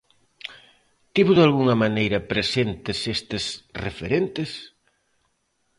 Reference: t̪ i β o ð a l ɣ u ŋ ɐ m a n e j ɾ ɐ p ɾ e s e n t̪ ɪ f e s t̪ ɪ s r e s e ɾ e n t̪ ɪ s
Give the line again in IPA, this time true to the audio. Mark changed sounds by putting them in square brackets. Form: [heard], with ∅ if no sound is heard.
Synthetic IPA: t̪ i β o ð a l ɣ u ŋ ɐ m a n e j ɾ ɐ p ɾ e s e n t̪ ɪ [s] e s t̪ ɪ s r e [f] e ɾ e n t̪ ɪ s